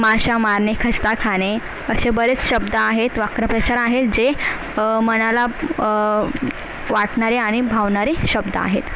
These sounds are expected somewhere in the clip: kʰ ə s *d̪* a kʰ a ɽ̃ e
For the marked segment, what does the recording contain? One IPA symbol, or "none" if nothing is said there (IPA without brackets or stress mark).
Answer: t̪